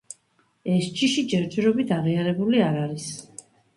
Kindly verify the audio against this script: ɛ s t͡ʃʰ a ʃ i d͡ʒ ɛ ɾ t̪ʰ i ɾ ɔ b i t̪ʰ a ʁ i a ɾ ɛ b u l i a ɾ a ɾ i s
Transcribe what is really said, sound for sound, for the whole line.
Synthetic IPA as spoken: ɛ s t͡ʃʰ i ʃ i d͡ʒ ɛ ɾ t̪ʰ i ɾ ɔ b i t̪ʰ a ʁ i a ɾ ɛ b u l i a ɾ a ɾ i s

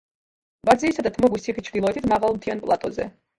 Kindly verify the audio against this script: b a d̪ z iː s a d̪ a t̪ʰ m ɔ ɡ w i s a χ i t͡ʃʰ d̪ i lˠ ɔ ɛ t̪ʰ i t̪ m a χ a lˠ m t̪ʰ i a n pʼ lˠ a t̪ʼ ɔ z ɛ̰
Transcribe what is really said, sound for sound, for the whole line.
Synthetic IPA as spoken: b a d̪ z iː s a d̪ a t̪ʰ m ɔ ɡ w i s i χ i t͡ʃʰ d̪ i lˠ ɔ ɛ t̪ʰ i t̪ m a ʁ a lˠ m t̪ʰ i a n pʼ lˠ a t̪ʼ ɔ z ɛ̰

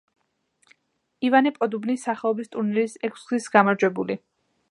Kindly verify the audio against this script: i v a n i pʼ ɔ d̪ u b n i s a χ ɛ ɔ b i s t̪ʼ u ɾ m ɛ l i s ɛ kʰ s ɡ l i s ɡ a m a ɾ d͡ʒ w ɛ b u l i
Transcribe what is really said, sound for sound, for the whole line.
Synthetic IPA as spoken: i v a n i pʼ ɔ d̪ u b n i s a χ ɛ ɔ b i s t̪ʼ u ɾ n ɛ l i s ɛ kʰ s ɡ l i s ɡ a m a ɾ d͡ʒ w ɛ b u l i

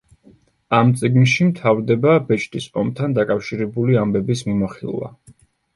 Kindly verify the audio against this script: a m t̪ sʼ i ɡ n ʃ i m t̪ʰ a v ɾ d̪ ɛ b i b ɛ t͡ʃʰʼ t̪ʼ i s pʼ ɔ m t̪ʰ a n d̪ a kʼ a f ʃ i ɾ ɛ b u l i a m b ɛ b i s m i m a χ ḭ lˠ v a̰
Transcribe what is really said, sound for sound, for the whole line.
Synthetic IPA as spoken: a m t̪ sʼ i ɡ n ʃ i m t̪ʰ a v ɾ d̪ ɛ b a b ɛ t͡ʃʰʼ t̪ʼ i s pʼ ɔ m t̪ʰ a n d̪ a kʼ a f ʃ i ɾ ɛ b u l i a m b ɛ b i s m i m a χ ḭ lˠ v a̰

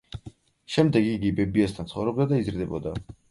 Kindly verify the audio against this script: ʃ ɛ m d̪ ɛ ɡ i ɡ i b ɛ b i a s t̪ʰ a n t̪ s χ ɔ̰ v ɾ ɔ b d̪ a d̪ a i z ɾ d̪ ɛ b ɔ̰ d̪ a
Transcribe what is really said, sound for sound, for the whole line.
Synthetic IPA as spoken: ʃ ɛ m d̪ ɛ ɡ i ɡ i b ɛ b i a s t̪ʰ a n t̪ s χ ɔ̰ v ɾ ɔ b d̪ a d̪ a i z ɾ d̪ ɛ b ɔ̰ d̪ a

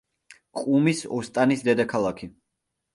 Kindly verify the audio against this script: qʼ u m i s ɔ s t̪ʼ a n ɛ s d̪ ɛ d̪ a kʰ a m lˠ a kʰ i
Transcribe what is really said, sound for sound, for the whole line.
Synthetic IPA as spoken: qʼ u m i s ɔ s t̪ʼ a n i s d̪ ɛ d̪ a kʰ a lˠ a kʰ i

